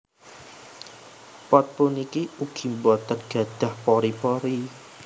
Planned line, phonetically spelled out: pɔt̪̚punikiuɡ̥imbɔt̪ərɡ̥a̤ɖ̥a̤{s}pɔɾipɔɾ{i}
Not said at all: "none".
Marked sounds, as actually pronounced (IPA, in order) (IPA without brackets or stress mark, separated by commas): h, i